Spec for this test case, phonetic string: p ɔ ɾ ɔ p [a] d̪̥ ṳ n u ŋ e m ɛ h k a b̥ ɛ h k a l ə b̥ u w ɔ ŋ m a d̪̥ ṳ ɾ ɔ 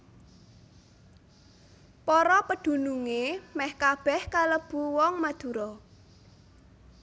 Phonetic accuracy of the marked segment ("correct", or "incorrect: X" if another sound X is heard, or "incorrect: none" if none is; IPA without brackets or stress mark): incorrect: ə